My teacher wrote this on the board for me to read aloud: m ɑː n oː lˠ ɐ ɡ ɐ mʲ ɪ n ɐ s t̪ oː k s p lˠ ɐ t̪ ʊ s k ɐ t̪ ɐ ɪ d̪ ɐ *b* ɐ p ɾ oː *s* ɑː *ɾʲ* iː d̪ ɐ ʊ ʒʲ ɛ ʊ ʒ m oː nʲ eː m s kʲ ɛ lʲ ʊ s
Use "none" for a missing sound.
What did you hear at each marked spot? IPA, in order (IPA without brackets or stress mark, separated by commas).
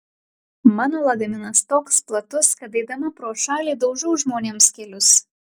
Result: m, ʃ, lʲ